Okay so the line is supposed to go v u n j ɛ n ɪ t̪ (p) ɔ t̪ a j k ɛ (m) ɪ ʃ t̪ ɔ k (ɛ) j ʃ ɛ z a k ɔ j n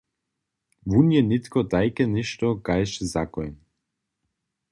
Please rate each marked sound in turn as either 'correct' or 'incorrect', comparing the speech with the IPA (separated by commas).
incorrect, incorrect, incorrect